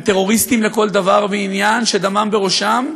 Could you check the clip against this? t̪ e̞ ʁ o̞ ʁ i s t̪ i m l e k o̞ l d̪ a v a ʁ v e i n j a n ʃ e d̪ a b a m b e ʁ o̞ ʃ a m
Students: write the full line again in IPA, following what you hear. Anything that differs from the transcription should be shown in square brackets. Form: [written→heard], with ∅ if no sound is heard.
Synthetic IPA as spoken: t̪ e̞ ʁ o̞ ʁ i s t̪ i m l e k o̞ l d̪ a v a ʁ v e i n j a n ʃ e d̪ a [b→m] a m b e ʁ o̞ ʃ a m